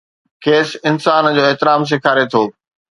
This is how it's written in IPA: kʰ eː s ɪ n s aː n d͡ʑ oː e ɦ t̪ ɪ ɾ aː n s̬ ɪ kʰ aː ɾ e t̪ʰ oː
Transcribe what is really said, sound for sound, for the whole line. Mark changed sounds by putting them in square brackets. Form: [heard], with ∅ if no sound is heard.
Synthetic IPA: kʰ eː s ɪ n s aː n d͡ʑ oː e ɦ t̪ ɪ ɾ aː [m] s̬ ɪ kʰ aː ɾ e t̪ʰ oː